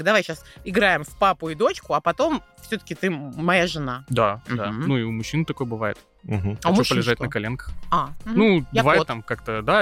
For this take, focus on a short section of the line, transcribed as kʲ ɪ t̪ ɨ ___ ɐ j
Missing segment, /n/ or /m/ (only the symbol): m